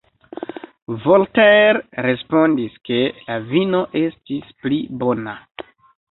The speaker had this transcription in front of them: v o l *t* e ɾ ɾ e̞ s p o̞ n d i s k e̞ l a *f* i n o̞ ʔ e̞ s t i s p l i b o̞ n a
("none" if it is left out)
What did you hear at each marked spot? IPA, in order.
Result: t, v

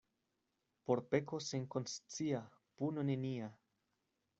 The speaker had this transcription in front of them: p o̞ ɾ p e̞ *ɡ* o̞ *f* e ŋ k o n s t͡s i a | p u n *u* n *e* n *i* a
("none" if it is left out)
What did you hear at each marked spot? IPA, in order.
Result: k, s, o, e, i

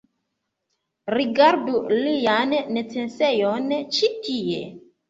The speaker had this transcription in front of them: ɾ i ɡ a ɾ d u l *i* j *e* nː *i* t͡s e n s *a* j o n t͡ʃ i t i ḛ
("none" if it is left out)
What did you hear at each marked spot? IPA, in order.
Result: i, a, e, e

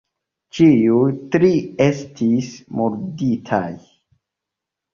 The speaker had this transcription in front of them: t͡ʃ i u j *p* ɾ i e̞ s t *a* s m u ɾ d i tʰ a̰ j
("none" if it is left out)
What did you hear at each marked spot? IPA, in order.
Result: t, i

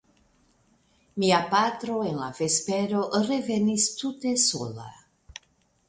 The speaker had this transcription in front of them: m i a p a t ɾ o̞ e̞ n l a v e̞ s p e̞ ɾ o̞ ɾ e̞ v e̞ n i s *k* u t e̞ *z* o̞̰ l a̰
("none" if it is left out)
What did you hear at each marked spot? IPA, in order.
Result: t, s

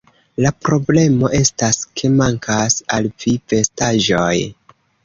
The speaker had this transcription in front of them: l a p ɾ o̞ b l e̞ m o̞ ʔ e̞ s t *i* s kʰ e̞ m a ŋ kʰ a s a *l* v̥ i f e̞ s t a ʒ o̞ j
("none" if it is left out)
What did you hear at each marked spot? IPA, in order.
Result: a, l

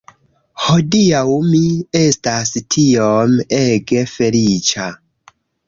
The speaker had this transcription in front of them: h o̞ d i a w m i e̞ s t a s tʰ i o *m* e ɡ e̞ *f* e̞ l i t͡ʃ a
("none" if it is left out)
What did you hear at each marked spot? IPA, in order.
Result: m, f

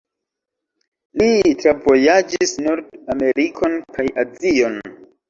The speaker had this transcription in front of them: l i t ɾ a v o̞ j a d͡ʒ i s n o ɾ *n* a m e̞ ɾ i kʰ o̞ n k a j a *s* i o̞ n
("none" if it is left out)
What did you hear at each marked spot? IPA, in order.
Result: d, z

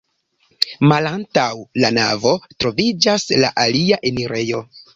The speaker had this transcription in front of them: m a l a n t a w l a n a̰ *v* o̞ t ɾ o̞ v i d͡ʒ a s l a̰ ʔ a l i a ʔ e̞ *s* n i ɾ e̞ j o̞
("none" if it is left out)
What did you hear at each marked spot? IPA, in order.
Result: v, none

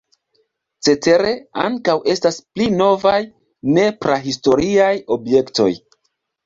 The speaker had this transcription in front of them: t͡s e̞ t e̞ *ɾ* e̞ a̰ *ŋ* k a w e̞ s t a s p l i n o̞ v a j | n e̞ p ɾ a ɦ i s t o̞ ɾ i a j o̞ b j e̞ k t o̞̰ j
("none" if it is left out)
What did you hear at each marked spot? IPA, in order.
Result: ɾ, ŋ

